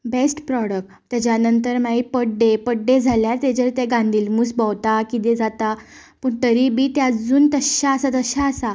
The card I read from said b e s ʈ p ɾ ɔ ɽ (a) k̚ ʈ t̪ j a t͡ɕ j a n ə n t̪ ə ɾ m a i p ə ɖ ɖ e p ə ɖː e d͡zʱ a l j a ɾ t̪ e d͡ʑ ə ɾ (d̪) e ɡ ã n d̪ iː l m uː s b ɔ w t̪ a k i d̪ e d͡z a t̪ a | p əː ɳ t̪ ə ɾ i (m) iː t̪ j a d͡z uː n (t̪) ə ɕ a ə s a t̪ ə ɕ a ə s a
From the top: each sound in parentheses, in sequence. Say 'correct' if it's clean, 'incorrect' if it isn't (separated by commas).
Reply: incorrect, incorrect, incorrect, correct